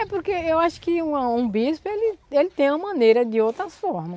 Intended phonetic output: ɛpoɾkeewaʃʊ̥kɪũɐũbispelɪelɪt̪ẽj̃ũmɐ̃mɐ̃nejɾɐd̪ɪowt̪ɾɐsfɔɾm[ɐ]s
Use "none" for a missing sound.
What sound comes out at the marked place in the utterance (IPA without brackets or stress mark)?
ɐ